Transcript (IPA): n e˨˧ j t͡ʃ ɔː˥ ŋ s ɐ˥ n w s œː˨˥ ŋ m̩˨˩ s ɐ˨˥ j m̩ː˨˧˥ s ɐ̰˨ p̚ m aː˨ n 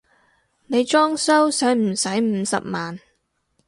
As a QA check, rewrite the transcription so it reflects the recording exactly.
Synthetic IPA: n e˨˧ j t͡ʃ ɔː˥ ŋ s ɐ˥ w s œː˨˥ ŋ m̩˨˩ s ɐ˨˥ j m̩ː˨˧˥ s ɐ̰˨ p̚ m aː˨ n